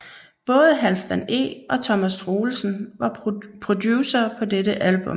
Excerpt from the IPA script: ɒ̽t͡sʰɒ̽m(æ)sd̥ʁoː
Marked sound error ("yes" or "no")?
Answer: no